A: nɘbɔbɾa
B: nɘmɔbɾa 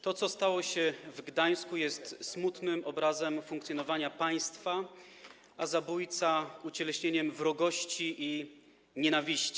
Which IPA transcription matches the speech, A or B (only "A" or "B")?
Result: B